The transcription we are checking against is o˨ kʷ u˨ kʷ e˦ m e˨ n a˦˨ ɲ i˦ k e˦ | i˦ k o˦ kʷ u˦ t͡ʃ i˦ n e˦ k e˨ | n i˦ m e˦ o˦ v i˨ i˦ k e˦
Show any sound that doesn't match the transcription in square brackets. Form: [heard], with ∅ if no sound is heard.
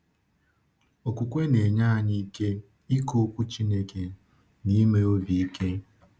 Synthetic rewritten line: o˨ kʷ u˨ kʷ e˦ [n] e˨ [ɲ] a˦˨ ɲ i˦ k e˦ | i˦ k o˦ kʷ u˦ t͡ʃ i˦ n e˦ k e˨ | n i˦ m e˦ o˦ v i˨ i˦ k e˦